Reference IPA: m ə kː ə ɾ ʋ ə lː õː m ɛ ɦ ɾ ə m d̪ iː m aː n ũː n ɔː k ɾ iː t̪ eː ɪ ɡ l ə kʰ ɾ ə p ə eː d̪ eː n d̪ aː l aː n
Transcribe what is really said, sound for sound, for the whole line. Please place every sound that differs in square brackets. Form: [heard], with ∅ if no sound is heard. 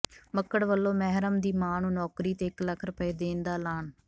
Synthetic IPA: m ə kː ə [ɽ] ʋ ə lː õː m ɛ ɦ ɾ ə m d̪ iː m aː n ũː n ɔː k ɾ iː t̪ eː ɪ [k] l ə kʰ ɾ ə p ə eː d̪ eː n d̪ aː l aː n